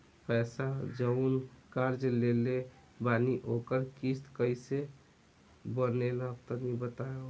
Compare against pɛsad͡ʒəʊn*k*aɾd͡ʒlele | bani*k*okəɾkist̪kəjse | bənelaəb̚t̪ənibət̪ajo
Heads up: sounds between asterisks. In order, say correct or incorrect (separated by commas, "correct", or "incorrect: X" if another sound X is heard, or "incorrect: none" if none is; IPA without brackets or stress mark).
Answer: correct, incorrect: ʔ